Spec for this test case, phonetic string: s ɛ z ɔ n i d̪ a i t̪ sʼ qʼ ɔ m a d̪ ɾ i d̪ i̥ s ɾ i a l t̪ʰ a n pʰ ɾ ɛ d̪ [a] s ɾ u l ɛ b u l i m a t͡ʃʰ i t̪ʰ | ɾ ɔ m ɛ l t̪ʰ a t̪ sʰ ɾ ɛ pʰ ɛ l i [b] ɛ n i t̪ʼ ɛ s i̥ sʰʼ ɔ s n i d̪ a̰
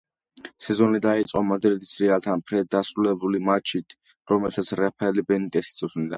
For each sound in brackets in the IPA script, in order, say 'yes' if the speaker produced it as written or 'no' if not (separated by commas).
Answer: yes, yes